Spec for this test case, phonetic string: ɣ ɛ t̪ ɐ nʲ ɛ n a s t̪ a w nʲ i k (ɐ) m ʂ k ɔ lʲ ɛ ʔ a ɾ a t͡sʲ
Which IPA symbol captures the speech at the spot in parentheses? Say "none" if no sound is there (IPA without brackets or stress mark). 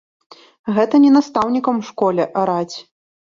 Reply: ɐ